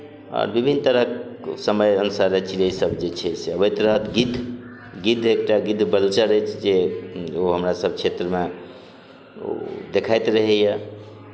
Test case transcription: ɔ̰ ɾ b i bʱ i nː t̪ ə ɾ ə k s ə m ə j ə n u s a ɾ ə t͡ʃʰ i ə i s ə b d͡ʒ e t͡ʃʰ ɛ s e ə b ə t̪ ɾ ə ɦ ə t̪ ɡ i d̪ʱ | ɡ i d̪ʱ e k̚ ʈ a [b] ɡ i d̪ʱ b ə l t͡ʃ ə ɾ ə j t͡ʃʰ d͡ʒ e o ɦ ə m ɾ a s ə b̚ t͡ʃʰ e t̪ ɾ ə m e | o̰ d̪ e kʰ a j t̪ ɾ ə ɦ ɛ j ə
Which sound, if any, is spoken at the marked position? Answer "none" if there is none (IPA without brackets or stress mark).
none